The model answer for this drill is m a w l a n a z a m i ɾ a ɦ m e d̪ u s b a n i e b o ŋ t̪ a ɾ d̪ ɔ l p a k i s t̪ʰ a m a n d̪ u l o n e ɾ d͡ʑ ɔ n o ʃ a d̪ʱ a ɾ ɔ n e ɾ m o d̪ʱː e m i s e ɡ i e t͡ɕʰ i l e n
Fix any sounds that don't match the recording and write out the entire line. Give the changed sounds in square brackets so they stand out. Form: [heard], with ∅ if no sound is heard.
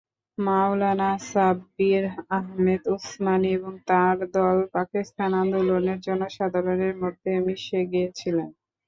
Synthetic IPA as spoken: m a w l a n a [s] a [b] i ɾ a ɦ m e d̪ u s [m] a n i e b o ŋ t̪ a ɾ d̪ ɔ l p a k i s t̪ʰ a [n] a n d̪ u l o n e ɾ d͡ʑ ɔ n o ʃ a d̪ʱ a ɾ [o] n e ɾ m o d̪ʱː e m i [ʃ] e ɡ i e t͡ɕʰ i l e n

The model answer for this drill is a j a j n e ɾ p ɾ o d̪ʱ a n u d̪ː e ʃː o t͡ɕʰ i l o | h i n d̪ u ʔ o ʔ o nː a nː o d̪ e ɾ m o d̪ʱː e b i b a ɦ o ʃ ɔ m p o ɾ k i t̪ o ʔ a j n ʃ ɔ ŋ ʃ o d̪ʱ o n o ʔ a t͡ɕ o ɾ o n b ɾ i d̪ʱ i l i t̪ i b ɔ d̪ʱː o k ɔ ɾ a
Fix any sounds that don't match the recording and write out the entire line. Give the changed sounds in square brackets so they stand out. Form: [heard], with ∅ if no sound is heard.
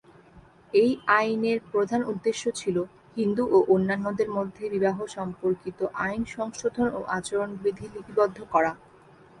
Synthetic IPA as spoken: [e] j a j n e ɾ p ɾ o d̪ʱ a n u d̪ː e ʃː o t͡ɕʰ i l o | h i n d̪ u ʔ o ʔ o nː a nː o d̪ e ɾ m o d̪ʱː e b i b a ɦ o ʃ ɔ m p o ɾ k i t̪ o ʔ a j n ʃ ɔ ŋ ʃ o d̪ʱ o n o ʔ a t͡ɕ o ɾ o n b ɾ i d̪ʱ i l i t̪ i b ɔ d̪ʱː o k ɔ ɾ a

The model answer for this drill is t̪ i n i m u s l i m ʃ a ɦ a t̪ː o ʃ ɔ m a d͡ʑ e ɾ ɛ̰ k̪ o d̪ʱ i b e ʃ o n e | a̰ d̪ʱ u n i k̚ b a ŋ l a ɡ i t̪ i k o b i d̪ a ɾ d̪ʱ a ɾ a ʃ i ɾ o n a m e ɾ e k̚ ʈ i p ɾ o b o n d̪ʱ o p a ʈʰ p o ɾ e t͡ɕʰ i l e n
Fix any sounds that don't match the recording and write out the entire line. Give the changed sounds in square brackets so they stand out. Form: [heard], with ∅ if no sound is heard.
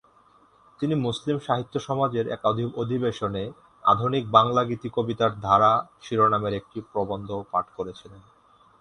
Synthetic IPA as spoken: t̪ i n i m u s l i m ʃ a ɦ [i] t̪ː o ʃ ɔ m a d͡ʑ e ɾ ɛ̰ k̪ o d̪ʱ i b e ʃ o n e | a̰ d̪ʱ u n i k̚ b a ŋ l a ɡ i t̪ i k o b i [t̪] a ɾ d̪ʱ a ɾ a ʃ i ɾ o n a m e ɾ e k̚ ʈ i p ɾ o b o n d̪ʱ o p a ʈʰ [k] o ɾ e t͡ɕʰ i l e n

